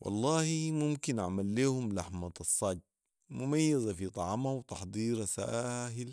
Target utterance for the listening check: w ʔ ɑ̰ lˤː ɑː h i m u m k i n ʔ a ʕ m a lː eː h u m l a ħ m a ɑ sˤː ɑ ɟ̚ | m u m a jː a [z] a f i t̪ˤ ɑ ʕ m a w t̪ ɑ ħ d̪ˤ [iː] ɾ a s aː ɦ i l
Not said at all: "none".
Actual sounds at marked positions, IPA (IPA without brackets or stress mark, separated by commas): z, iː